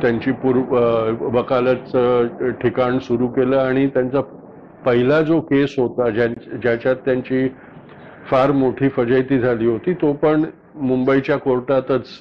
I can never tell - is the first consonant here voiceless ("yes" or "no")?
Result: yes